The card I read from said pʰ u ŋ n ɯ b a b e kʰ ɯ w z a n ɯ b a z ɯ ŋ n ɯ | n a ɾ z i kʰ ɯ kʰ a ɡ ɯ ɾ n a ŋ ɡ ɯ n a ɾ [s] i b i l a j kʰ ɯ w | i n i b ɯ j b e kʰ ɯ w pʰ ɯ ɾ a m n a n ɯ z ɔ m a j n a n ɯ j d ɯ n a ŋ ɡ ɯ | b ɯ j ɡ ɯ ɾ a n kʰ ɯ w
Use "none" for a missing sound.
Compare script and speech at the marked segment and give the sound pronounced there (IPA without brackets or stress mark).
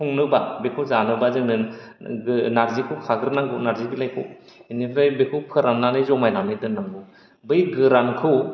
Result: z